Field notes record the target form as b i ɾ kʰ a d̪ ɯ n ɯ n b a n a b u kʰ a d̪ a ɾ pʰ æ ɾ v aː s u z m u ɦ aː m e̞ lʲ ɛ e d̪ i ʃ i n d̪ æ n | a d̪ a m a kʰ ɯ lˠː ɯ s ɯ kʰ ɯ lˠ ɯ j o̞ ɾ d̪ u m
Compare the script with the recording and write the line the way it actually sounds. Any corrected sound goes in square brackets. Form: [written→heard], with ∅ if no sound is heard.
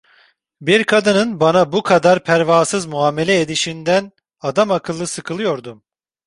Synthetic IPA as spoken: b i ɾ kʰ a d̪ ɯ n ɯ n b a n a b u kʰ a d̪ a ɾ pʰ æ ɾ v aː s [u→ɯ] z m u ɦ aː m e̞ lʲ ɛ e d̪ i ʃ i n d̪ æ n | a d̪ a m a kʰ ɯ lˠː ɯ s ɯ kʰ ɯ lˠ ɯ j o̞ ɾ d̪ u m